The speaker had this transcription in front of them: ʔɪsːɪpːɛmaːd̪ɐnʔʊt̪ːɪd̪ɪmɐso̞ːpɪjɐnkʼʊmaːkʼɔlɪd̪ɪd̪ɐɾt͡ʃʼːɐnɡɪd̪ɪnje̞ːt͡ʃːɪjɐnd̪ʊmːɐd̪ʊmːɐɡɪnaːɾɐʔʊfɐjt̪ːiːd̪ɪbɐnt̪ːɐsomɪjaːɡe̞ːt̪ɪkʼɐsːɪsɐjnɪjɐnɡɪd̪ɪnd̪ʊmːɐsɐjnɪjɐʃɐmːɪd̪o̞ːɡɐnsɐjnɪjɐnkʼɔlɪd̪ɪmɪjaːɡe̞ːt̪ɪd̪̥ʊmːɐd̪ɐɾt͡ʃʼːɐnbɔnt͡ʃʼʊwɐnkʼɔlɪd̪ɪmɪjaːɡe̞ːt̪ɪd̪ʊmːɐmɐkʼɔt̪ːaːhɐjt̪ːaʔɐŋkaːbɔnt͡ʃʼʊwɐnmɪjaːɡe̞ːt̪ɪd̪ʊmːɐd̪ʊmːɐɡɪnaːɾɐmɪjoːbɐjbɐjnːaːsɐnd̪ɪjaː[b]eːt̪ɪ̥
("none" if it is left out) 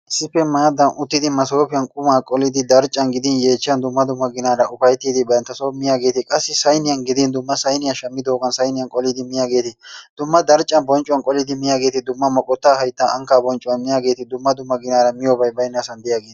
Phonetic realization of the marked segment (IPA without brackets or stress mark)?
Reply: ɡ